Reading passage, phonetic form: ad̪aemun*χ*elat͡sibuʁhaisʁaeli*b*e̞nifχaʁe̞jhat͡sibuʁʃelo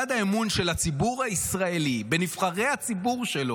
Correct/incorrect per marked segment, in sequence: incorrect, correct

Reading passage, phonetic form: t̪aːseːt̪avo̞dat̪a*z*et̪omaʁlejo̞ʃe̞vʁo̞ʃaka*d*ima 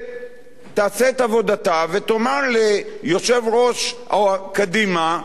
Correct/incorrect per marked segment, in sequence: incorrect, correct

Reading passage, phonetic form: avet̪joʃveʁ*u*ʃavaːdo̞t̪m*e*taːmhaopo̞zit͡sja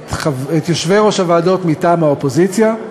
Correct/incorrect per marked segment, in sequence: incorrect, incorrect

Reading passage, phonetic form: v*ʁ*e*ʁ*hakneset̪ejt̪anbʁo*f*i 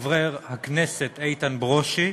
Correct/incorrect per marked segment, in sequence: correct, correct, incorrect

